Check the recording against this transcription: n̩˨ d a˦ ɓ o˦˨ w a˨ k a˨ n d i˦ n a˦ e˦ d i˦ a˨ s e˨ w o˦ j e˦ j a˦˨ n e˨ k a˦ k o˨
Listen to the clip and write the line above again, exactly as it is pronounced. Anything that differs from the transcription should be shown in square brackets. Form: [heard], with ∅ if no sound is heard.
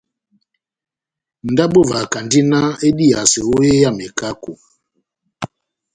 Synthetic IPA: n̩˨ d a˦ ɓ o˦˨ [v] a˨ k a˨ n d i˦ n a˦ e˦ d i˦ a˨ s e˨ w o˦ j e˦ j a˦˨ [m] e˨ k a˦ k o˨